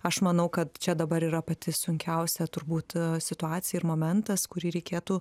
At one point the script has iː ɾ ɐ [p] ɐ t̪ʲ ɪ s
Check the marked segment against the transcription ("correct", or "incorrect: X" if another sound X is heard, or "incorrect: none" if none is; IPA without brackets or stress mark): correct